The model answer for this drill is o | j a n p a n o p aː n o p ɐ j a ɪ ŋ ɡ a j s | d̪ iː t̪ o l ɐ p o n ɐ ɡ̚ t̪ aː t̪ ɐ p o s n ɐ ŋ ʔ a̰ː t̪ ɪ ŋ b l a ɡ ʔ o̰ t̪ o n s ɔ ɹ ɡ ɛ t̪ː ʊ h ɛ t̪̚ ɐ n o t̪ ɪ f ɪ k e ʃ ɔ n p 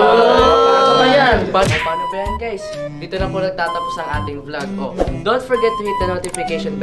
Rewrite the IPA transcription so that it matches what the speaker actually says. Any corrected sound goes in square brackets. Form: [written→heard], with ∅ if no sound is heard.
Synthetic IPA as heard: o | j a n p a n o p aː n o p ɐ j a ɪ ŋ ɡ a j s | d̪ iː t̪ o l ɐ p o n ɐ ɡ̚ t̪ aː t̪ ɐ p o s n ɐ ŋ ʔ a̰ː t̪ ɪ ŋ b l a ɡ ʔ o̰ [t̪→d̪] o n [s→f] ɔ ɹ ɡ ɛ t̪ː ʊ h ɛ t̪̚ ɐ n o t̪ ɪ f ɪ k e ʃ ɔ n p